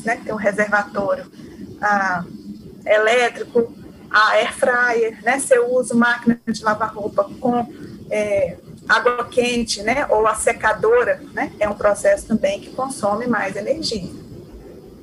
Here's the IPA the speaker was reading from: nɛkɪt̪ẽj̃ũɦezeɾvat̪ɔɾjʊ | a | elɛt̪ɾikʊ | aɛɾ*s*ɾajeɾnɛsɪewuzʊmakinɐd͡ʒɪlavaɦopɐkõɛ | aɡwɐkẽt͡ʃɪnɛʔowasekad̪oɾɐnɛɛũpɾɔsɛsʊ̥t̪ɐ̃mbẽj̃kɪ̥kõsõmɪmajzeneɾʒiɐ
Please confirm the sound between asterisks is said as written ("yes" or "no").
no